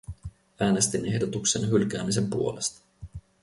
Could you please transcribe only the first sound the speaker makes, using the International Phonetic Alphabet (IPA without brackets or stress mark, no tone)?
æː